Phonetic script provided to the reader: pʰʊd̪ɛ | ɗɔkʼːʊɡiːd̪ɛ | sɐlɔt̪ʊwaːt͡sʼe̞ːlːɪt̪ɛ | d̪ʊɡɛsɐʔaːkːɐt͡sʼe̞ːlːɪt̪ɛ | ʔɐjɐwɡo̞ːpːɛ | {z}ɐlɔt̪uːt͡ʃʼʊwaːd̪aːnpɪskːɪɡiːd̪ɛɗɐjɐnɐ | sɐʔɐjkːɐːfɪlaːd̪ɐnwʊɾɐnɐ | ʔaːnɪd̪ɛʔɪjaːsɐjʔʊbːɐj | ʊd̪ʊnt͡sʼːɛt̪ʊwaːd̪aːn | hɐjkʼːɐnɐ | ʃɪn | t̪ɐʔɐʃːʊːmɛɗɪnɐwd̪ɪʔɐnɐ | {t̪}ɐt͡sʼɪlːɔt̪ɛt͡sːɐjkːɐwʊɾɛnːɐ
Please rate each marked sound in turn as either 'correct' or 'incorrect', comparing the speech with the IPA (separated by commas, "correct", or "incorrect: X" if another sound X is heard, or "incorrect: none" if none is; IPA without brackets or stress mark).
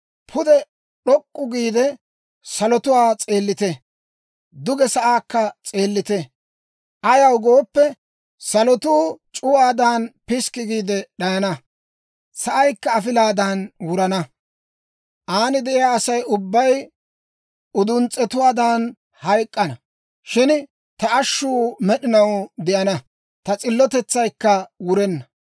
incorrect: s, correct